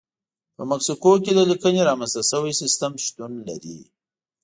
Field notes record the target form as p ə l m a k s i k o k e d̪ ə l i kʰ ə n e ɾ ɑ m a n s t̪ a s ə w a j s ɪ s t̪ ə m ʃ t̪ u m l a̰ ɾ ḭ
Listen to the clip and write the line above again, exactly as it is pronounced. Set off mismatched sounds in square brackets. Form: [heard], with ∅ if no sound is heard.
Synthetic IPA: p ə [∅] m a k s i k o k e d̪ ə l i [k] ə n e ɾ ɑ m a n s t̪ a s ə w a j s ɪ s t̪ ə m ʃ t̪ u [n] l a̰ ɾ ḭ